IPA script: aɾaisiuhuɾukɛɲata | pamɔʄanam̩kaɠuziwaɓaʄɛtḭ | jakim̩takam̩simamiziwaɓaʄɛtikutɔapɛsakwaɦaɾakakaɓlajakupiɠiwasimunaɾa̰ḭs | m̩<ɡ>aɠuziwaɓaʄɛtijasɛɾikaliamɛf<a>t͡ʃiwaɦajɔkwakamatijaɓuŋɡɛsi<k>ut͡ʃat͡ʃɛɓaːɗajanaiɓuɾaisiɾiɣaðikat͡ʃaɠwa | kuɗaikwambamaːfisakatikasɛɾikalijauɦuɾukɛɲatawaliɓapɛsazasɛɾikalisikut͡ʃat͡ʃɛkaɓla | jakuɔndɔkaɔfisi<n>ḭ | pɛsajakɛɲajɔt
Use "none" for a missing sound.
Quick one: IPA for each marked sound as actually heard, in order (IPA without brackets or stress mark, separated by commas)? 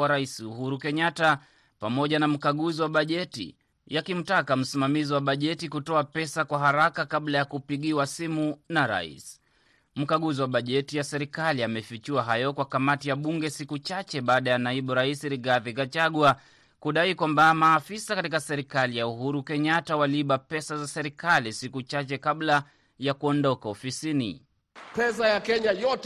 k, i, k, n